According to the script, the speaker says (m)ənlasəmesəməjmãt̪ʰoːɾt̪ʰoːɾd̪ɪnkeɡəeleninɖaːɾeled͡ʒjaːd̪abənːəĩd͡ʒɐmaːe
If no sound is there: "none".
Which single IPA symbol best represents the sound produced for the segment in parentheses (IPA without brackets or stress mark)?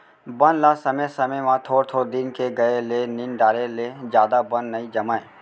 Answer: b